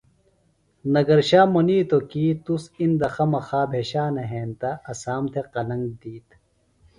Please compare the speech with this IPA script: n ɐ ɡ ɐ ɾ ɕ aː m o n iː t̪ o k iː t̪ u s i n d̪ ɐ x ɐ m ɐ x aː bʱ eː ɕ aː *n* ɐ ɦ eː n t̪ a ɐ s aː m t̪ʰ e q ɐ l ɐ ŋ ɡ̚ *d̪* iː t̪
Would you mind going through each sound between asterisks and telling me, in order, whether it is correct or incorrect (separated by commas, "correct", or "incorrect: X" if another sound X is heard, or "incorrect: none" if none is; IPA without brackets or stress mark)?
correct, correct